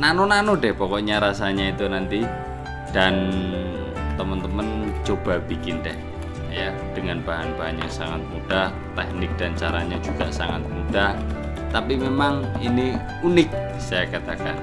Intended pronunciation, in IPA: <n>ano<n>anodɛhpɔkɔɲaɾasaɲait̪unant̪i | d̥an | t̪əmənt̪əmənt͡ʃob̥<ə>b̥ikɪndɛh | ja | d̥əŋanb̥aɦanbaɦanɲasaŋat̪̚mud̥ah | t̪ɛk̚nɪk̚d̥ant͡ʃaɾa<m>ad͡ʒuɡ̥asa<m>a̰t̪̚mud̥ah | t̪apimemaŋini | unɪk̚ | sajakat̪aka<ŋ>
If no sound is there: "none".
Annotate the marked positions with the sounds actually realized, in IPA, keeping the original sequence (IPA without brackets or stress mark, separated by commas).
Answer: n, n, a, ɲ, ŋ, n